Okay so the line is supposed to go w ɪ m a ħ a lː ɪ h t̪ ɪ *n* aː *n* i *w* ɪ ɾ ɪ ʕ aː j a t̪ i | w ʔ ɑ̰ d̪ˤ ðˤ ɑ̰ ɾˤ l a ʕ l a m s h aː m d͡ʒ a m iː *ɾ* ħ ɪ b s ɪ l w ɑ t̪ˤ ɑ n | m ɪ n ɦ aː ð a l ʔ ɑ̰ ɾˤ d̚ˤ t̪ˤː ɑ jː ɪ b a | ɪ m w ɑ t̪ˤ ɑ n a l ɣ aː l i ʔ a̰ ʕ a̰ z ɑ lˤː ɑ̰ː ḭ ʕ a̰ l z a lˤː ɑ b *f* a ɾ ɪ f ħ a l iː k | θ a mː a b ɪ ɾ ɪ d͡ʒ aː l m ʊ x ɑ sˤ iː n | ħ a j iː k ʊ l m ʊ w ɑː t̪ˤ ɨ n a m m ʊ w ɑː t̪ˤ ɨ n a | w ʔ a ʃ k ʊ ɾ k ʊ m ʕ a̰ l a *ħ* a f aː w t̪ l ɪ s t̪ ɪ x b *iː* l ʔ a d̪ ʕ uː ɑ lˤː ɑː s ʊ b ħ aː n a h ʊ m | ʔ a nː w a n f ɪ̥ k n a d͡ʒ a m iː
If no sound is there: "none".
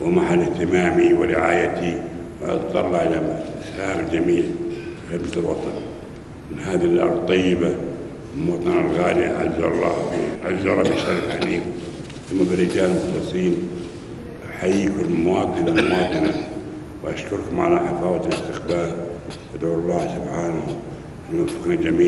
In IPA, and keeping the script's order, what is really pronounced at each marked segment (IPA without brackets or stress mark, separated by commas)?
m, m, w, l, ʃ, ħ, aː